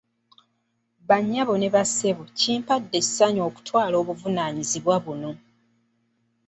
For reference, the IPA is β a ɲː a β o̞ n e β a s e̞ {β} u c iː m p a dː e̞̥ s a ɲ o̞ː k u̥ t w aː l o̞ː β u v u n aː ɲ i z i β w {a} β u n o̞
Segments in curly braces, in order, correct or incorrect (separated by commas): correct, correct